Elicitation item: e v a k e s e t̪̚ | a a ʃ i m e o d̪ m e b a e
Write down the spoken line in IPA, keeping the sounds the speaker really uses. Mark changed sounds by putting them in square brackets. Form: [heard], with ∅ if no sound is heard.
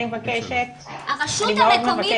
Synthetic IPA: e v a k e [ʃ] e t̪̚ | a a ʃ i m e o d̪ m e [v] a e